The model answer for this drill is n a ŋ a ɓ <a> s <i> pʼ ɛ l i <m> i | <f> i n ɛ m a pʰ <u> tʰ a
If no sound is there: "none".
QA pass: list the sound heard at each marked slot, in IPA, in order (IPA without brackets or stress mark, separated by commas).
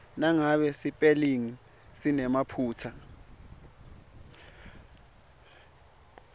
ɛ, i, ŋ, s, uː